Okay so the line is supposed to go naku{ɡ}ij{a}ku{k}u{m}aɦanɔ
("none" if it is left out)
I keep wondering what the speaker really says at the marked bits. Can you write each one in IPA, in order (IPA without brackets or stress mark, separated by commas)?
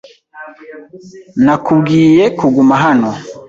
ɡ, ɛ, ɡ, m